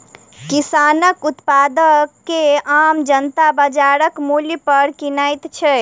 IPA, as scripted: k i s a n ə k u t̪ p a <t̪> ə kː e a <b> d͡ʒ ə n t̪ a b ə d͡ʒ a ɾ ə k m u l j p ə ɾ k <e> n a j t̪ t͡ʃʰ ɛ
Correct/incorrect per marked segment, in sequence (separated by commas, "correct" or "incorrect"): incorrect, incorrect, incorrect